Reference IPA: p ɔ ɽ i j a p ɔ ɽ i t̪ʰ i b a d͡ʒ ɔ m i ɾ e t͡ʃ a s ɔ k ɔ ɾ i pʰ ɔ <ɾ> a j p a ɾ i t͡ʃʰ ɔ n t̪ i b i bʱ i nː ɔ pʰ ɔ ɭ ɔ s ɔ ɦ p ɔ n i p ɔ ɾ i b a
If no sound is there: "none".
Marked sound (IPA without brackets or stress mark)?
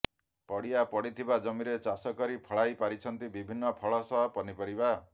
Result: ɭ